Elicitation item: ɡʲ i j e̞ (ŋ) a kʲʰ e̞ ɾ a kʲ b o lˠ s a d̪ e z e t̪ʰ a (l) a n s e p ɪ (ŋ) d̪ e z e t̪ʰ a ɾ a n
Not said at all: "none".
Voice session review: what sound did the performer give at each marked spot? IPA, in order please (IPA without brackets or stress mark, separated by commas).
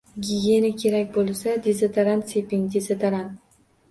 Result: n, ɾ, ŋ